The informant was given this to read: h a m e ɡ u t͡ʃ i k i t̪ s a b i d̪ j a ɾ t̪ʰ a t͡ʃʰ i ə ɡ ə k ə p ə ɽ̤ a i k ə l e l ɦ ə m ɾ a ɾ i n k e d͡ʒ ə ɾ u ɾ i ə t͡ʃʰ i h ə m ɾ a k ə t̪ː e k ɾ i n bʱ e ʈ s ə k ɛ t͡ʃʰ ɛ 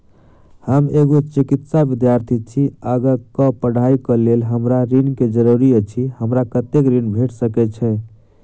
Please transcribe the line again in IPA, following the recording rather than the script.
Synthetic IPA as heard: h ə m e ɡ o t͡ʃ i k i t̪ s a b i d̪ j a ɾ t̪ʰ i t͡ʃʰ i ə ɡ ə k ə p ə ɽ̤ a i k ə l e l ɦ ə m ɾ a ɾ i n k e d͡ʒ ə ɾ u ɾ i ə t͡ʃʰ i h ə m ɾ a k ə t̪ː e k ɾ i n bʱ e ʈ s ə k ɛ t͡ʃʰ ɛ